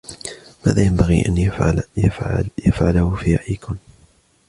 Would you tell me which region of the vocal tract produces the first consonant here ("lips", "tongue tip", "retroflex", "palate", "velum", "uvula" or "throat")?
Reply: lips